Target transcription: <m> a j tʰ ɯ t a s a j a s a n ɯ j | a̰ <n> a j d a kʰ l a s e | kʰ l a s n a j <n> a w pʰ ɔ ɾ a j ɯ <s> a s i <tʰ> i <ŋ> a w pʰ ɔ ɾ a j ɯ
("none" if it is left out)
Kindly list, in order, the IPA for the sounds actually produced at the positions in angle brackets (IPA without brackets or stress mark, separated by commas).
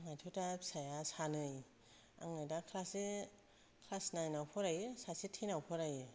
ŋ, ŋ, n, s, tʰ, n